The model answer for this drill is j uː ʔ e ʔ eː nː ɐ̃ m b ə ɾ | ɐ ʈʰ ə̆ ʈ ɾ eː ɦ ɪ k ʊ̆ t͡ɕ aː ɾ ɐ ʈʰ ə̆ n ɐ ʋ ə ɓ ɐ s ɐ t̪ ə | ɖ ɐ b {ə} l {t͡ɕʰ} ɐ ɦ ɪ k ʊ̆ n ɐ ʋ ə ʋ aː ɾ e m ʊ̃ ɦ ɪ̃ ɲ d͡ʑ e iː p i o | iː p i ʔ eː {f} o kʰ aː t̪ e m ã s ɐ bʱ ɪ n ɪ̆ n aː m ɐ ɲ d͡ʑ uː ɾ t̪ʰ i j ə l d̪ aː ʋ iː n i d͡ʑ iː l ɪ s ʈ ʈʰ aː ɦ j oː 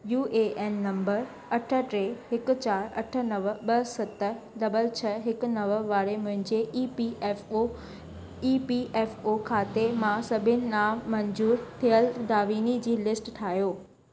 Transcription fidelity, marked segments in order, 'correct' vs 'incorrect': correct, correct, correct

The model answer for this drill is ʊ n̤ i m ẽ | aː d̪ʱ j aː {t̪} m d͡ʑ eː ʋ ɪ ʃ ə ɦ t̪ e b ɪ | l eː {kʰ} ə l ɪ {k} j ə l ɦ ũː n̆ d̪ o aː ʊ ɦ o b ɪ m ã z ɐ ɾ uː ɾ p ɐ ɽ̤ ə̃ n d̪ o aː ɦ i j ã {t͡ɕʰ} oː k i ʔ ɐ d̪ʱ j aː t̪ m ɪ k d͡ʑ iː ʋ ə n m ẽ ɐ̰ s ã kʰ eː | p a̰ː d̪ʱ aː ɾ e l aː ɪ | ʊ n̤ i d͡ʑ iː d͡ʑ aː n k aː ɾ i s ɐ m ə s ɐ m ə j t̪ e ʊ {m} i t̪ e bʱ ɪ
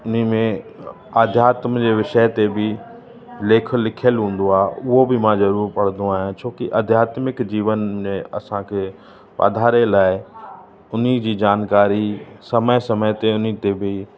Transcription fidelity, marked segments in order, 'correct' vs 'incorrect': correct, correct, incorrect, correct, incorrect

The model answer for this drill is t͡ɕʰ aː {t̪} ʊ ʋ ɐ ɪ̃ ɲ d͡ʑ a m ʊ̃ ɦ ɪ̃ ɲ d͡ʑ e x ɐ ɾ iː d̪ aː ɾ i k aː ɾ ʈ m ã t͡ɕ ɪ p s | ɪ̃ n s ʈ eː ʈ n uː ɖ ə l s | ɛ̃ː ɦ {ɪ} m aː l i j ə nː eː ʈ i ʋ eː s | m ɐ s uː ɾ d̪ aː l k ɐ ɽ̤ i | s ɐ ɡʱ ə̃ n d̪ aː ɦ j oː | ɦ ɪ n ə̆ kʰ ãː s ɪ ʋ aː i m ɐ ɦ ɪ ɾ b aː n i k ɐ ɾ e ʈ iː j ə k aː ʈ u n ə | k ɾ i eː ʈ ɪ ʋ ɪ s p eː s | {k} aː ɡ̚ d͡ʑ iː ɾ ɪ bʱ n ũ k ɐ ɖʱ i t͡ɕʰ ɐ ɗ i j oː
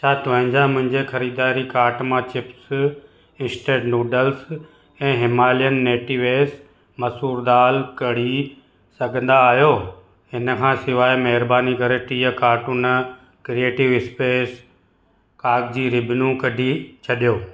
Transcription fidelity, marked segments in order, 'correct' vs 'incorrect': correct, correct, correct

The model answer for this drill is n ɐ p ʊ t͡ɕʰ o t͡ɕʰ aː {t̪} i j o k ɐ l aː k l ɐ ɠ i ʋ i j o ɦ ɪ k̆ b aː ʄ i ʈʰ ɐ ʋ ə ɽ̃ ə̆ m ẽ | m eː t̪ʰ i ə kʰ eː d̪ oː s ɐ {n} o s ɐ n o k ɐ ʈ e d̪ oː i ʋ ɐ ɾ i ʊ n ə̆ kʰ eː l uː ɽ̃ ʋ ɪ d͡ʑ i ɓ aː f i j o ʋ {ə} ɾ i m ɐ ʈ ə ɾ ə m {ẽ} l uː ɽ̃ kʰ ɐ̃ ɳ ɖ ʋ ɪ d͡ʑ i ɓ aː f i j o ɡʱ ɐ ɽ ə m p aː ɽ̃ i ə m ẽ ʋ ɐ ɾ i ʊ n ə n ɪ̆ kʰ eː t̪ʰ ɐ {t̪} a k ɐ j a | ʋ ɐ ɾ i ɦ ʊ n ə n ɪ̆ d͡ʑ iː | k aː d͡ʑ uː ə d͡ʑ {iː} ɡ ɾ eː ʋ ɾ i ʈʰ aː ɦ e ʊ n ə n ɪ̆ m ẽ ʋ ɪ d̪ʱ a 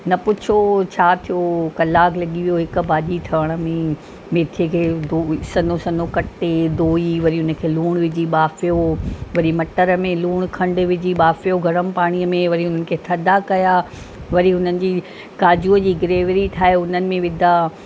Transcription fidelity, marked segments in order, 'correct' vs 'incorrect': incorrect, correct, incorrect, correct, incorrect, correct

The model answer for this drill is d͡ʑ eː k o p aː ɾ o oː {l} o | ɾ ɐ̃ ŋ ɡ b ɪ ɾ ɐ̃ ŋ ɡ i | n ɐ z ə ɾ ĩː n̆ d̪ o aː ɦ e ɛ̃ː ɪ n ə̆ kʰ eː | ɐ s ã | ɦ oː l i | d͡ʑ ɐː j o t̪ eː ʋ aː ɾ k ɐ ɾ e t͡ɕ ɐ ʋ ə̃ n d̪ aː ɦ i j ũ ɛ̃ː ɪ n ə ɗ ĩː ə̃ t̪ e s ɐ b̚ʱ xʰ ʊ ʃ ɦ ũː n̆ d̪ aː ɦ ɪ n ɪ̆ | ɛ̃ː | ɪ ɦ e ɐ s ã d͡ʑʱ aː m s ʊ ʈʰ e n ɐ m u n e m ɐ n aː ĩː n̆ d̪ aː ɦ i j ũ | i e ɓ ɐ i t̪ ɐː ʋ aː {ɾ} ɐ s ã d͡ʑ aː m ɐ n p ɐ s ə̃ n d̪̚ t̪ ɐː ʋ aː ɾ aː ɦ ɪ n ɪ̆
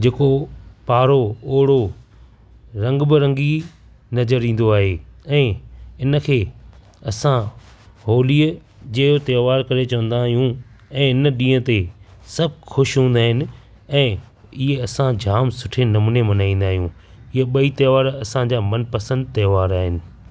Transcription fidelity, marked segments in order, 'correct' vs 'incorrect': incorrect, correct

